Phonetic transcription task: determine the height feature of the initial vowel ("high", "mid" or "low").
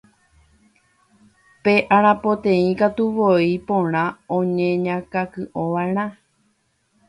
mid